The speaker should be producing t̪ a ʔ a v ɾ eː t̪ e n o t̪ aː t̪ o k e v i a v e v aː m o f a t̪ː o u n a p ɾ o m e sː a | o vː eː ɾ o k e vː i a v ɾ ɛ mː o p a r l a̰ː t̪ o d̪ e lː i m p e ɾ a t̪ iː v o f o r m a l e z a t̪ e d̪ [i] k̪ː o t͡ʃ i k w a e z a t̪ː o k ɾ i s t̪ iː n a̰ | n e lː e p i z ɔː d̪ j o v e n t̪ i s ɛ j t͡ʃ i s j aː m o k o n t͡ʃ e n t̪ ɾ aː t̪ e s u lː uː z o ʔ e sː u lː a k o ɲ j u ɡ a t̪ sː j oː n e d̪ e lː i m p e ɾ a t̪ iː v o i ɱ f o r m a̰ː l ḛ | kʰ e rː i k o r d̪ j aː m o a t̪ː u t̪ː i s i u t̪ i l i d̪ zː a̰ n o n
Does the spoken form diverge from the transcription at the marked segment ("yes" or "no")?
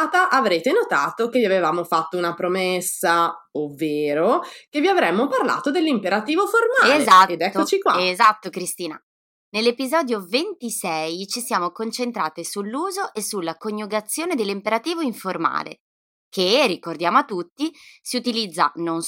yes